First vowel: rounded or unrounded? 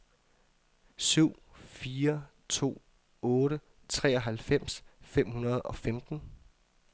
rounded